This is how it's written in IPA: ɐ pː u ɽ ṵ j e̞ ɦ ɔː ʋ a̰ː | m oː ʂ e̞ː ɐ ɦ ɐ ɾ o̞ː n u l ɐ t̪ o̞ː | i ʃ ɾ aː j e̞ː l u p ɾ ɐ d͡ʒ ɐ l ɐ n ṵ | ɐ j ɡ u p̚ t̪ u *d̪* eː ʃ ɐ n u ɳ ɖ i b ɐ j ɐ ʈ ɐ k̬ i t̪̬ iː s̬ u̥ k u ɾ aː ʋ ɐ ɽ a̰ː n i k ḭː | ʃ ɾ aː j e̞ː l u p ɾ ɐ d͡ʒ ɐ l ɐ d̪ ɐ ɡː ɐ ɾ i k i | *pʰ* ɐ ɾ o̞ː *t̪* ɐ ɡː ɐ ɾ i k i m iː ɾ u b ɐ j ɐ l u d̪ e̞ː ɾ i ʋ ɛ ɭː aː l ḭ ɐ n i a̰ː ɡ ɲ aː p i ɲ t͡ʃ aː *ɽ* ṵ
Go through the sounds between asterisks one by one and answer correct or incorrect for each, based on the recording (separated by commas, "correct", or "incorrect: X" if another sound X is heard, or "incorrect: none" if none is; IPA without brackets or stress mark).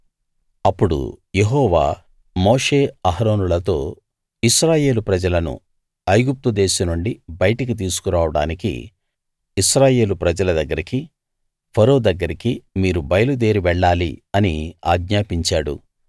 correct, correct, incorrect: d̪, correct